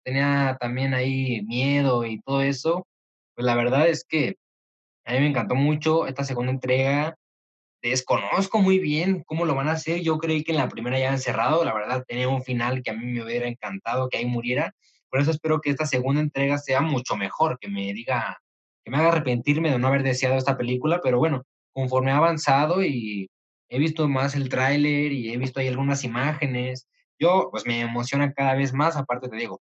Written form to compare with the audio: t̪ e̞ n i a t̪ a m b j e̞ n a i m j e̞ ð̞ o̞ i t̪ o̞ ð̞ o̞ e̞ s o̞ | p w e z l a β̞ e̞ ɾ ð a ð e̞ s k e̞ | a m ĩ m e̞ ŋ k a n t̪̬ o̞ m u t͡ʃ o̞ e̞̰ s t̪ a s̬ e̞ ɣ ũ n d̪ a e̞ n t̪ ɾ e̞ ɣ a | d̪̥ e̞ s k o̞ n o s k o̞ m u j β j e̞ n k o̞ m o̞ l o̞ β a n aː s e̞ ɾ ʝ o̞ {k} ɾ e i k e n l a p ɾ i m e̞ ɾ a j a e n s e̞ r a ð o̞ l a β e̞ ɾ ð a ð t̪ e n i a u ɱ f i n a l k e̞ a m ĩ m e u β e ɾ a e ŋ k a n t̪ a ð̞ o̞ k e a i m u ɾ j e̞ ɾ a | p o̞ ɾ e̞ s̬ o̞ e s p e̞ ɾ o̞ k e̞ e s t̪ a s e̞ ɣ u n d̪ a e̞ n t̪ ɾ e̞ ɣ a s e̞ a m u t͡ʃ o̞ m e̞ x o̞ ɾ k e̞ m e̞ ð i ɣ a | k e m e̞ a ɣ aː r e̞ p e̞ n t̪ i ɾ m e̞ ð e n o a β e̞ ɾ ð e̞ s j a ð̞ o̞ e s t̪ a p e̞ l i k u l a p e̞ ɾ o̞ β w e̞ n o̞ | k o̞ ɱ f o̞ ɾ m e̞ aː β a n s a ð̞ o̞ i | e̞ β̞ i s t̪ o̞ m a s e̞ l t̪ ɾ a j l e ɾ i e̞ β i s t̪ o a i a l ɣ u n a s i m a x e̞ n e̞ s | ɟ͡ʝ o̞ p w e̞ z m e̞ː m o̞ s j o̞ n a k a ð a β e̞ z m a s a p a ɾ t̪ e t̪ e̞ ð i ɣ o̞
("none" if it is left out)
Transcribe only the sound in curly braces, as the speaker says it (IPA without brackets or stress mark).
k